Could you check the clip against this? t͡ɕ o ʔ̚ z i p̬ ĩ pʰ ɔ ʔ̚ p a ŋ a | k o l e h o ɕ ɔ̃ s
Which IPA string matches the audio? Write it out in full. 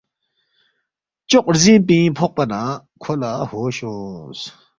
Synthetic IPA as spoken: t͡ɕ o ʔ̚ z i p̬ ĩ pʰ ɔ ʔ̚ p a n a | kʰ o l a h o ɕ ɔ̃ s